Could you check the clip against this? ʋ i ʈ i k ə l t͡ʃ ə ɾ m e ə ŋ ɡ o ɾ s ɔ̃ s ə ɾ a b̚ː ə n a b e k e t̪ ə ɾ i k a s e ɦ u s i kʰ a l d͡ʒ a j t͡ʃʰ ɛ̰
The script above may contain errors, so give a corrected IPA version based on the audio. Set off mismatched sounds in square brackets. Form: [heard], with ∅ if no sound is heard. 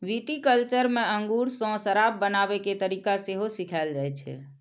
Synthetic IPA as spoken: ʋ i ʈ i k ə l t͡ʃ ə ɾ m e ə ŋ ɡ [u] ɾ s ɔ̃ s ə ɾ a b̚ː ə n a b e k e t̪ ə ɾ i k a s e ɦ [o] s i kʰ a l d͡ʒ a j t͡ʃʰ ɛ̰